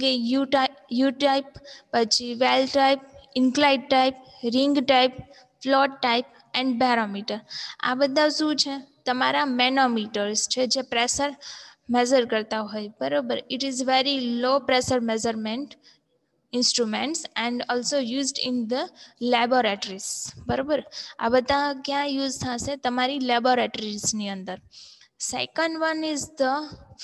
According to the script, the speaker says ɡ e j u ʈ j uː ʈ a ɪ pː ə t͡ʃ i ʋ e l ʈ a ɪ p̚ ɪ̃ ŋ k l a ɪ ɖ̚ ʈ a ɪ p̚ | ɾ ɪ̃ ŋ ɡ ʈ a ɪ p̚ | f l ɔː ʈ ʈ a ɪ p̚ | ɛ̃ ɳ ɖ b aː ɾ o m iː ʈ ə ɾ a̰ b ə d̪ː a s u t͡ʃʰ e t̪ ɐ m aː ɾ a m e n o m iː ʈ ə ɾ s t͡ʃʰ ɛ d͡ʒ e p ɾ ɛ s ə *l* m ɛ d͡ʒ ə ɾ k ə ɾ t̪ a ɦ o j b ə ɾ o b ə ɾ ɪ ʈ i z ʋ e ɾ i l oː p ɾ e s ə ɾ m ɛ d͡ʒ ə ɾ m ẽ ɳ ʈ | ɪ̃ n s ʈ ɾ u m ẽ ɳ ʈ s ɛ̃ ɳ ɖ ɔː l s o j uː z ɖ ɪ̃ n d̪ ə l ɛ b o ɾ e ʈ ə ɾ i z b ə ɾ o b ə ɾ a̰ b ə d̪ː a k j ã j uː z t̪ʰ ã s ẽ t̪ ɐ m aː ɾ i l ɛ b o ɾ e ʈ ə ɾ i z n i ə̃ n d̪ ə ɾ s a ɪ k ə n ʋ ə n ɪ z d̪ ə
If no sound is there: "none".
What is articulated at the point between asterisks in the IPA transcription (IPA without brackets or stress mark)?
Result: ɾ